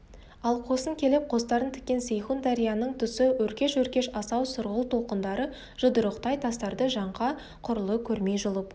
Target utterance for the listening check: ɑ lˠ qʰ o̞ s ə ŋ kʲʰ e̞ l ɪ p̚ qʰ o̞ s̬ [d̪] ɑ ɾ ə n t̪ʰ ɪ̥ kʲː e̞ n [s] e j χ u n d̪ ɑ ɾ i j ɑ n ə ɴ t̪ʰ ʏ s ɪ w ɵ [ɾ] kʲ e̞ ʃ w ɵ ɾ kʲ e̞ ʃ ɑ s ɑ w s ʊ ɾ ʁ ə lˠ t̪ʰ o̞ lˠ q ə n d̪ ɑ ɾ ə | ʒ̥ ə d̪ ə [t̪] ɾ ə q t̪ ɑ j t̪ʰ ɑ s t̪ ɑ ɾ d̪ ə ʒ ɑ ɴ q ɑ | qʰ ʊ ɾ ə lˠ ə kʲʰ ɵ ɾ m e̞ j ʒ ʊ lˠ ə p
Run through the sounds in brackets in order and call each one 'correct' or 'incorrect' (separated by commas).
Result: incorrect, correct, correct, incorrect